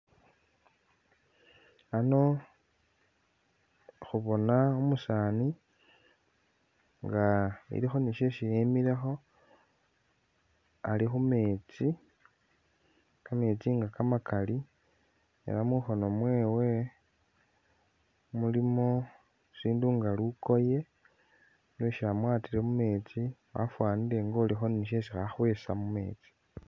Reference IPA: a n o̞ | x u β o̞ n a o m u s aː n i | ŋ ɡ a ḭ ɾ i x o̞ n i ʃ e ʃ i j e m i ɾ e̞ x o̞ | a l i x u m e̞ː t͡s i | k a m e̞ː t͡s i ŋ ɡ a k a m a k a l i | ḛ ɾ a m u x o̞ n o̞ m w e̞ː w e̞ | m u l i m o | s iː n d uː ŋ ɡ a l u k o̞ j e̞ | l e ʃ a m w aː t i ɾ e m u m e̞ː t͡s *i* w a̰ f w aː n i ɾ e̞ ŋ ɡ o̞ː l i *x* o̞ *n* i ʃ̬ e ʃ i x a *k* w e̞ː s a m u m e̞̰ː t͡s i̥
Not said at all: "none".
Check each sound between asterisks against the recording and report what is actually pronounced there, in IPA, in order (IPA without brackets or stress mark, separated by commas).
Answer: i, x, n, x